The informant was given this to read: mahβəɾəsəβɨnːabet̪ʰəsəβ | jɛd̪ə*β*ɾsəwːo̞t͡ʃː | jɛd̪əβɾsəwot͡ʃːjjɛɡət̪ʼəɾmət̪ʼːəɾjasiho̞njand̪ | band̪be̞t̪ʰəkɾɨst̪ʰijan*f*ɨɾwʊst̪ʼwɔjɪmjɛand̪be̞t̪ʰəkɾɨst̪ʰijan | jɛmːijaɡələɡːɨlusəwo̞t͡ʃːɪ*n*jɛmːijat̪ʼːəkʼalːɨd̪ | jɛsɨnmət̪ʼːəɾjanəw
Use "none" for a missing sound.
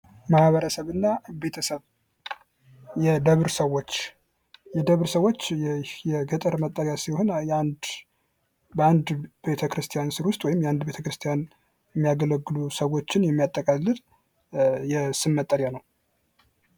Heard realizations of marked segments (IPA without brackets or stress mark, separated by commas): β, s, n